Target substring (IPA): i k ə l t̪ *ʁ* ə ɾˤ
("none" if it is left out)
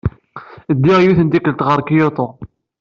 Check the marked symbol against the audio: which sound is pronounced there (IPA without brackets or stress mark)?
ʁ